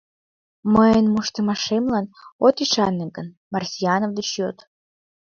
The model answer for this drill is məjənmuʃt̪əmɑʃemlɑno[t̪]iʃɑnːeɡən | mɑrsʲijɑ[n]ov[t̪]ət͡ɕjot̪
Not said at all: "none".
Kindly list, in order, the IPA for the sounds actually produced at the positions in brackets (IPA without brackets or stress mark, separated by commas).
t̪, n, d̪